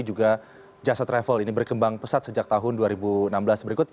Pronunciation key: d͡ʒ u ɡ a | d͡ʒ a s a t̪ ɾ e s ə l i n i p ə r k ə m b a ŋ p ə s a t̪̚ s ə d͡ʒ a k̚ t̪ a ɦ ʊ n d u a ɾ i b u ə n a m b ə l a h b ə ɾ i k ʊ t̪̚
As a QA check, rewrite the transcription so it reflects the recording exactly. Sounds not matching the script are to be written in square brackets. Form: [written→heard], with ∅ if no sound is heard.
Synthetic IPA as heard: d͡ʒ u ɡ a | d͡ʒ a s a t̪ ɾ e [s→f] ə l i n i [p→b] ə r k ə m b a ŋ p ə s a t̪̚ s ə d͡ʒ a k̚ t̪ a ɦ ʊ n d u a ɾ i b u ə n a m b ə l a [h→s] b ə ɾ i k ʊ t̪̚